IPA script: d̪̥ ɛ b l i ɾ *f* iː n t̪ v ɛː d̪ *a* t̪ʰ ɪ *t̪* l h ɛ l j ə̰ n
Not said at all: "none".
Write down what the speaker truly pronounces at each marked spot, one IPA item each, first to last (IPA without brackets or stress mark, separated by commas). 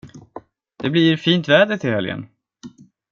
f, ə, none